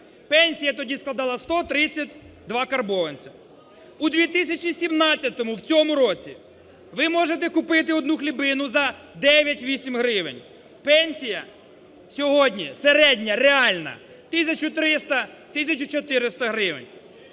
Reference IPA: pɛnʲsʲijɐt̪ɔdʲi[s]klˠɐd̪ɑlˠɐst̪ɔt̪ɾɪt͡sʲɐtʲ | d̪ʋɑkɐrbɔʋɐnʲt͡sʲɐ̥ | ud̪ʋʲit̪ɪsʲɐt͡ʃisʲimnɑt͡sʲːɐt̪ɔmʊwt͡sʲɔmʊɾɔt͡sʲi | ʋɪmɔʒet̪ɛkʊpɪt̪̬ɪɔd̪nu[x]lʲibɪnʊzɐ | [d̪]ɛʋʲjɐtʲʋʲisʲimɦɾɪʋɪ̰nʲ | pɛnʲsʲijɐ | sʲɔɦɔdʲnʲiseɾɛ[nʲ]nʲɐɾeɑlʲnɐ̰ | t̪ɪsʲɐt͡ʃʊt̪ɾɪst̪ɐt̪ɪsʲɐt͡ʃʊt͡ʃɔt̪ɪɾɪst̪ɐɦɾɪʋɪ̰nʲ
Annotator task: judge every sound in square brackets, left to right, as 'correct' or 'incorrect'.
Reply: correct, correct, correct, incorrect: dʲ

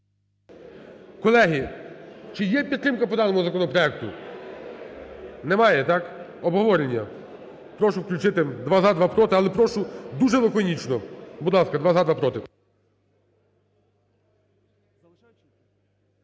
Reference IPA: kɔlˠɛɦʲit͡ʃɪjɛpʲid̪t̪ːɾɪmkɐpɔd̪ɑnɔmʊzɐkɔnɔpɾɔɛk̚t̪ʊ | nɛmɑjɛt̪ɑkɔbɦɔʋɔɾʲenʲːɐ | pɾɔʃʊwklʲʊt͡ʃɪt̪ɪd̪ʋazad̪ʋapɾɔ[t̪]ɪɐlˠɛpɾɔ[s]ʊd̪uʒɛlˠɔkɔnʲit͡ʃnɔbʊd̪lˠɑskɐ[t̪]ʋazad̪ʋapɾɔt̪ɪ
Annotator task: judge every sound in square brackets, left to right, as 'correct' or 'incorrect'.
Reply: correct, incorrect: ʃ, incorrect: d̪

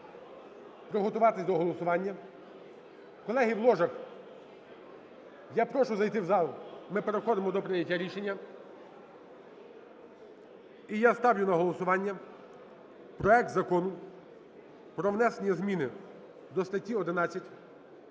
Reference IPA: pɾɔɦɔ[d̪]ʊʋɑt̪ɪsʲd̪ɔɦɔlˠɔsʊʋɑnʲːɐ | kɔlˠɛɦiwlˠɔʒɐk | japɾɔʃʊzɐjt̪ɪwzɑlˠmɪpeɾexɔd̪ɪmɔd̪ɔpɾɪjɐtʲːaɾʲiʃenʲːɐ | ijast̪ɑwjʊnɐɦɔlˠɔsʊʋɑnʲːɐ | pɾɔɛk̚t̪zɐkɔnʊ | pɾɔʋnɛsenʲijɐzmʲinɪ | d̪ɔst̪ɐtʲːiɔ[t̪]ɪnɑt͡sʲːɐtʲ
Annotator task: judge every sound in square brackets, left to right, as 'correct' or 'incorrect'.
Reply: incorrect: t̪, incorrect: d̪

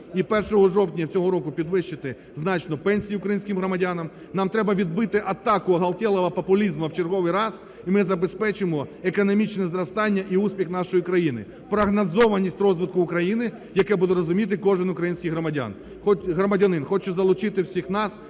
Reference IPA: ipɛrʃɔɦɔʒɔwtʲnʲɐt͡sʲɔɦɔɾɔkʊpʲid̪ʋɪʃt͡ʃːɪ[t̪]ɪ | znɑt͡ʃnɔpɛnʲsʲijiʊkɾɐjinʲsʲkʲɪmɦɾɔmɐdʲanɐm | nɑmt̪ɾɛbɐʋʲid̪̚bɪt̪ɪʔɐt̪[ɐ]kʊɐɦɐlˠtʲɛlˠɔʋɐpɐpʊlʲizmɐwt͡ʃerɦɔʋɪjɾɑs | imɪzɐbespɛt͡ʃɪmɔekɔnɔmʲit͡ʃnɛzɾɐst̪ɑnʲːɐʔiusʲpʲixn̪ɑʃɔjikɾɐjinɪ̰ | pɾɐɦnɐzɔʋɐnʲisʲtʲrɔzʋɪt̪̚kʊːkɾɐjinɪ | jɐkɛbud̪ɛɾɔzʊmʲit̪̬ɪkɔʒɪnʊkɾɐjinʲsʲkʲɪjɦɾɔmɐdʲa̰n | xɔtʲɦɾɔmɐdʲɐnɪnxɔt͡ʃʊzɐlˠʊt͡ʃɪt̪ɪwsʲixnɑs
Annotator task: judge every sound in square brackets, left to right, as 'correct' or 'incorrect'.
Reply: correct, incorrect: ɑ

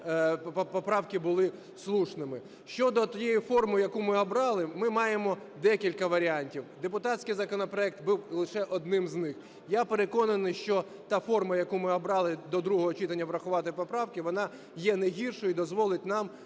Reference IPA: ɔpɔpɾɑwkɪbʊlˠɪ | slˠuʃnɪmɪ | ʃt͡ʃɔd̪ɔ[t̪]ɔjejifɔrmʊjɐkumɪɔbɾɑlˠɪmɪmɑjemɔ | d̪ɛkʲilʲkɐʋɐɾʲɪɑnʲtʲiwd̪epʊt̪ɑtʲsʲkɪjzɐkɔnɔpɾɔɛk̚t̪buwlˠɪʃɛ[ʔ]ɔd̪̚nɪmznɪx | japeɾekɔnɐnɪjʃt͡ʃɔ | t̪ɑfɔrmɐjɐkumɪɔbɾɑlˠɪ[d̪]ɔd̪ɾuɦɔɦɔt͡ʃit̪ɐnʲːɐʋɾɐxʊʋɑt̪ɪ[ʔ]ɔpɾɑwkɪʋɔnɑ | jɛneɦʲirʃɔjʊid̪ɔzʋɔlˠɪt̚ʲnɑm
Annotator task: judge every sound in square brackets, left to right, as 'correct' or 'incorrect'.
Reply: correct, correct, correct, incorrect: p

